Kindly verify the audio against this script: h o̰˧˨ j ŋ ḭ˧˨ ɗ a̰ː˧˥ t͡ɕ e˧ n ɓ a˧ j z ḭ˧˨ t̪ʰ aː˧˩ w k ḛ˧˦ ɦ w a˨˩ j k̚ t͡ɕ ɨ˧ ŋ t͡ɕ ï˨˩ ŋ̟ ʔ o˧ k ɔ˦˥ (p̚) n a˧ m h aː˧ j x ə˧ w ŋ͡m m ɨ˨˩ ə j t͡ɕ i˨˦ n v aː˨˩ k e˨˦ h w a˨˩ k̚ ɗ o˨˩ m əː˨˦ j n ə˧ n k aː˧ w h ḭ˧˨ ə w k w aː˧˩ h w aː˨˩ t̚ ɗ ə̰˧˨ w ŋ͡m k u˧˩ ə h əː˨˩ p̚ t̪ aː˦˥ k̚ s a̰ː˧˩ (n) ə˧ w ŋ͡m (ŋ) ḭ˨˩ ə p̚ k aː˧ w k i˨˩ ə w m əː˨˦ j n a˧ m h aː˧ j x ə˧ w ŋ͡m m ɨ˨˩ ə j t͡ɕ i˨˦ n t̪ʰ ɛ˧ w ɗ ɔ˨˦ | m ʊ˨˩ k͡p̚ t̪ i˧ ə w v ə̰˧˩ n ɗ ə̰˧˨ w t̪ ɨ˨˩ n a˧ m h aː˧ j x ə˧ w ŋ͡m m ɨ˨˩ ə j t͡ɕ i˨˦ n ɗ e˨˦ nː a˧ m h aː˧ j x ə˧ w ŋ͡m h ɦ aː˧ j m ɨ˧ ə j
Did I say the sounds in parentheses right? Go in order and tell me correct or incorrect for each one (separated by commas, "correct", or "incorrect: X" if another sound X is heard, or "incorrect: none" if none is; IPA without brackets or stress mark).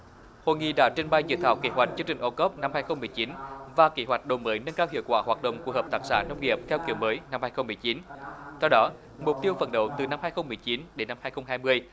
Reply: correct, correct, correct